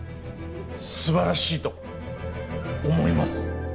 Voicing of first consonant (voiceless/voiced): voiceless